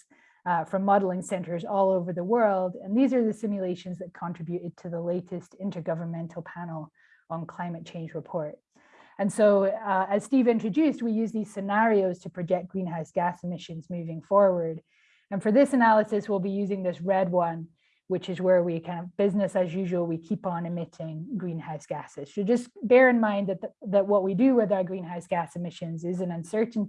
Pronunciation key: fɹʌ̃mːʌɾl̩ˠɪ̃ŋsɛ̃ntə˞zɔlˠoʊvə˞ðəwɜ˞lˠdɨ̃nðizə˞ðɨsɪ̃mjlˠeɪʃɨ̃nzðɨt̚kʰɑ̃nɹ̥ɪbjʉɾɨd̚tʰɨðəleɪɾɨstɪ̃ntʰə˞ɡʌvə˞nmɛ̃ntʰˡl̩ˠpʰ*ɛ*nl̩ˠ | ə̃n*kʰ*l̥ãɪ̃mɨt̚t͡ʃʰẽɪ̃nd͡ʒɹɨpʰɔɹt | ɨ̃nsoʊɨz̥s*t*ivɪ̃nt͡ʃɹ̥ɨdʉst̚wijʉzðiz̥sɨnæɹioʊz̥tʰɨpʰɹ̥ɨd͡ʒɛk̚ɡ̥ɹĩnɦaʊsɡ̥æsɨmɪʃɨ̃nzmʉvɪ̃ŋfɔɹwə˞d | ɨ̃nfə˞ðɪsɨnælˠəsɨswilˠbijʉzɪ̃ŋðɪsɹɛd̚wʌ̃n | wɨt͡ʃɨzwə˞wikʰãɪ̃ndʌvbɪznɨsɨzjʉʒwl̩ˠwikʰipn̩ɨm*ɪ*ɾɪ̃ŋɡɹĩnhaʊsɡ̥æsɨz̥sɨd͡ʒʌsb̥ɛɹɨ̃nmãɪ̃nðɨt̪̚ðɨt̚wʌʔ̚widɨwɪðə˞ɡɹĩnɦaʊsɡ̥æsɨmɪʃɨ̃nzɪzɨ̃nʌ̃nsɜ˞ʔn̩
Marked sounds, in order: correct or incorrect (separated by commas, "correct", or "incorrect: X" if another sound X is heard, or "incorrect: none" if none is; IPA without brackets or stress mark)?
incorrect: æ, correct, correct, correct